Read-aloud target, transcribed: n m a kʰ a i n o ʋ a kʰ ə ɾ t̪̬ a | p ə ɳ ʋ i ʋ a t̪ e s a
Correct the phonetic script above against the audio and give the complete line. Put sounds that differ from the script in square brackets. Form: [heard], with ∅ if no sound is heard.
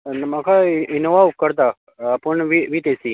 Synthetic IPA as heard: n m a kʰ a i n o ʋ a [k] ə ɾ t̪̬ a | p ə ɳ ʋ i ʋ [i] t̪ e s [i]